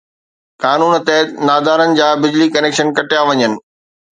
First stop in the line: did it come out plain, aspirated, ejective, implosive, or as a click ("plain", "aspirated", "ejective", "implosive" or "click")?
plain